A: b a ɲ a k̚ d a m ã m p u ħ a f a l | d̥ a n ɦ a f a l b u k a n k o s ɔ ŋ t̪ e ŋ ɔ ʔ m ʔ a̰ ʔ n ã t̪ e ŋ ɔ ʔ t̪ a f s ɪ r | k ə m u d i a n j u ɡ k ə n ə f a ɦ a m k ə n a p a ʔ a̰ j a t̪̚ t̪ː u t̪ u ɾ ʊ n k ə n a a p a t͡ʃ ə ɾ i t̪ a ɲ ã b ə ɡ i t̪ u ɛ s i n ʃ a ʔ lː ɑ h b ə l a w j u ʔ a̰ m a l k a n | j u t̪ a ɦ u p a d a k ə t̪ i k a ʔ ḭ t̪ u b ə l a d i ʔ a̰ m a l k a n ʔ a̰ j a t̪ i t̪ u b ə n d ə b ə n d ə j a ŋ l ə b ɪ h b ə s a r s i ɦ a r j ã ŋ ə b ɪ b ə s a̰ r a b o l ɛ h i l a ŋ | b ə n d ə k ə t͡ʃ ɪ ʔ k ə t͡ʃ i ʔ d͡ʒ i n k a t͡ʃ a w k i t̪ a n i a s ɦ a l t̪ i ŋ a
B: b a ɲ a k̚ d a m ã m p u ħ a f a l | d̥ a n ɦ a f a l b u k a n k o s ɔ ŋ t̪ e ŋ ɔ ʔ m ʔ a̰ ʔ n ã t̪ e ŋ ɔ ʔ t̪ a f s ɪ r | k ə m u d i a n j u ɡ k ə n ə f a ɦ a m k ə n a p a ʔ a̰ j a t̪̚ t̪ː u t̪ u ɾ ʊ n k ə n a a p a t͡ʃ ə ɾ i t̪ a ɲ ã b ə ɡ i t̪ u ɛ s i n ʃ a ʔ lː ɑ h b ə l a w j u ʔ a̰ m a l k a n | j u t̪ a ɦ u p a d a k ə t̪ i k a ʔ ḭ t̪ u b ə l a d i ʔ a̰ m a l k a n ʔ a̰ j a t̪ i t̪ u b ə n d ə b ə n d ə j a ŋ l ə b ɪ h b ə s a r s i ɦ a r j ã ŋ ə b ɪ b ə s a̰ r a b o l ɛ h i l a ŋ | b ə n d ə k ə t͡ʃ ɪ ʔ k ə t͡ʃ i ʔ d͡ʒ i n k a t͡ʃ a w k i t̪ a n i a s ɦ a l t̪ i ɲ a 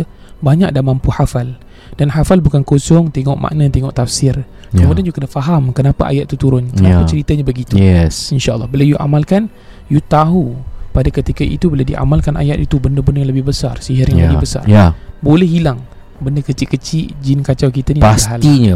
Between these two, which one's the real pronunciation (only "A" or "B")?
B